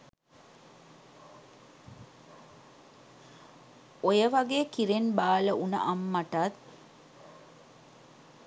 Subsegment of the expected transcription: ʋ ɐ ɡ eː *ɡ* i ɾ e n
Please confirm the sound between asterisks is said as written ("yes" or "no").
no